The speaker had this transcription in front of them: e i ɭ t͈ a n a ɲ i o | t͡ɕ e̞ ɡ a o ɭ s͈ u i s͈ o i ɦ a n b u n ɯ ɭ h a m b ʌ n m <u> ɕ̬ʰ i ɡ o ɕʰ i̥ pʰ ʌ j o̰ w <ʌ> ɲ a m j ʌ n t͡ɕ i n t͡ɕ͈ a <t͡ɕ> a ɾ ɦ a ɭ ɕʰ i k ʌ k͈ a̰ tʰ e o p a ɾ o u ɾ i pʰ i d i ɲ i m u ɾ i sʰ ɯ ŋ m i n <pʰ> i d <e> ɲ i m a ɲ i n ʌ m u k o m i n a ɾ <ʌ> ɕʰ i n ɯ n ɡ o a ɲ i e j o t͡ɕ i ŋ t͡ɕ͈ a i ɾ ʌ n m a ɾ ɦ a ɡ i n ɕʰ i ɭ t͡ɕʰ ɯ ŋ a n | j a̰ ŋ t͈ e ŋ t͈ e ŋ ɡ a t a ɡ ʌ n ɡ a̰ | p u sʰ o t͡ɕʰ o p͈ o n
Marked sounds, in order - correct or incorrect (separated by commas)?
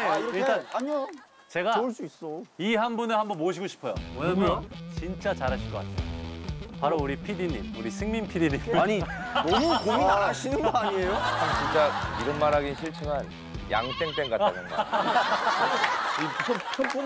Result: incorrect, correct, correct, correct, incorrect, incorrect